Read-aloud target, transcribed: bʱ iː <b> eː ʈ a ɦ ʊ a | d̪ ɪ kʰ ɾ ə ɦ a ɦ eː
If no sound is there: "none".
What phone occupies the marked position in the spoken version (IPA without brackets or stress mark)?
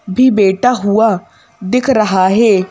b